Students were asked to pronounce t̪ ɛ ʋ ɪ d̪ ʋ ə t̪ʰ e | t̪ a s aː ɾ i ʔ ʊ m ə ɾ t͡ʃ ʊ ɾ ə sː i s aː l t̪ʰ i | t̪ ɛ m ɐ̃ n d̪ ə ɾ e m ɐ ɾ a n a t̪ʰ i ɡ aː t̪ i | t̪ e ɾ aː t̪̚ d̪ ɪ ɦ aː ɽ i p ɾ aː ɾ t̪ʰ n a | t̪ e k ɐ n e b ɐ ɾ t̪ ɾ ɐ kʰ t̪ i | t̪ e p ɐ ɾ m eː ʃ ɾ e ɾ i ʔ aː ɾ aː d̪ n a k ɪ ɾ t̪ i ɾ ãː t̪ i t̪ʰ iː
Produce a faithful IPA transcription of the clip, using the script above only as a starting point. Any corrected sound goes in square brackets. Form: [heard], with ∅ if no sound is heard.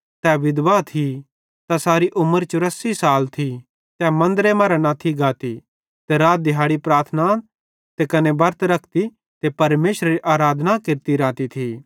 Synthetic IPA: t̪ ɛ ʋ ɪ d̪ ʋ [a] t̪ʰ [i] | t̪ a s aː ɾ i ʔ ʊ m ə ɾ t͡ʃ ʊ ɾ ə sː i s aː l t̪ʰ i | t̪ ɛ m ɐ̃ n d̪ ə ɾ e m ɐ ɾ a n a t̪ʰ i ɡ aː t̪ i | t̪ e ɾ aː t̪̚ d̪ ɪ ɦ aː ɽ i p ɾ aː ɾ t̪ʰ n a | t̪ e k ɐ n e b ɐ ɾ t̪ ɾ ɐ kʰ t̪ i | t̪ e p ɐ ɾ m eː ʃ ɾ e ɾ i ʔ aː ɾ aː d̪ n a k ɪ ɾ t̪ i ɾ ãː t̪ i t̪ʰ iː